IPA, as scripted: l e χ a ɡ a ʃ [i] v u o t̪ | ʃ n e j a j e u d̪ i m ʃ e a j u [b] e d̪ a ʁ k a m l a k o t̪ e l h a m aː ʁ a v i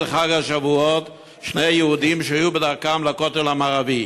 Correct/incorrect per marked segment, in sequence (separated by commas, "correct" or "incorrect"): incorrect, correct